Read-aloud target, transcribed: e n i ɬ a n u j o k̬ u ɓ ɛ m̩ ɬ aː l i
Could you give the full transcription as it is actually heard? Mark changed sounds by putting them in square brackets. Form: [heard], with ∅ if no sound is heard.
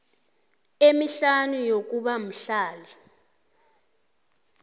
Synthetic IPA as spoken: e [m] i ɬ a n u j o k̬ u ɓ [a] m̩ ɬ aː l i